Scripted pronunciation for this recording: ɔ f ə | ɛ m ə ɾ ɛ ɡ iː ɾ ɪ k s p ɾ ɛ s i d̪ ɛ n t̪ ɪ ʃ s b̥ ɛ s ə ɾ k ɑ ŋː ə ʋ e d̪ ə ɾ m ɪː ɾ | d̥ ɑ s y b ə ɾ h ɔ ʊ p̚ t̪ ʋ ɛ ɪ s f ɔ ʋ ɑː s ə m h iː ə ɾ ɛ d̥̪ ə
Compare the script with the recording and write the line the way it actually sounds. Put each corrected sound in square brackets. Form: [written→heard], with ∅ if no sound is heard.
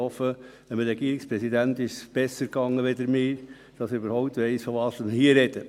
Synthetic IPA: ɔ f ə | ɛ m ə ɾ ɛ ɡ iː ɾ ɪ k s p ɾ ɛ s i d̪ [ɛ→æ] n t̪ ɪ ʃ s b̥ ɛ s ə ɾ k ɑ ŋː ə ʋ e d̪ ə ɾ m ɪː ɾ | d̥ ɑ s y b ə ɾ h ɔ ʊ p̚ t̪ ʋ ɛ ɪ s f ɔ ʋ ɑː s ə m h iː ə ɾ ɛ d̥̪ ə